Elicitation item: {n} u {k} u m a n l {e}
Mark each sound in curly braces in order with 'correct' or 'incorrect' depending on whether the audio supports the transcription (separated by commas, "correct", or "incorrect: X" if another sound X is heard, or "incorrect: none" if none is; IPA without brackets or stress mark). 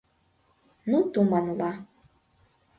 correct, incorrect: t, incorrect: a